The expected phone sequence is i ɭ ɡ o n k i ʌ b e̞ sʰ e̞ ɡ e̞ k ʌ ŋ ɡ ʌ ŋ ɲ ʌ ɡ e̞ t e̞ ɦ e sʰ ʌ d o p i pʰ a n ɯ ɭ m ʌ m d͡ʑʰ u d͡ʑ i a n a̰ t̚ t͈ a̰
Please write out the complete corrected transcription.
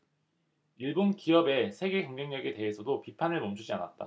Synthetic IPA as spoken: i ɭ b o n k i ʌ b e̞ sʰ e̞ ɡ e̞ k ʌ ŋ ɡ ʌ ŋ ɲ ʌ ɡ e̞ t e̞ ɦ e sʰ ʌ d o p i pʰ a n ɯ ɭ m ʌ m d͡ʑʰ u d͡ʑ i a n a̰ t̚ t͈ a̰